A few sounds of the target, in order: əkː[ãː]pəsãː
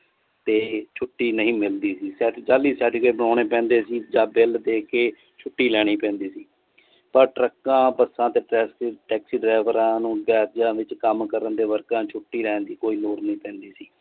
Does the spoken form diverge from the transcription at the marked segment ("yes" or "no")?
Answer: no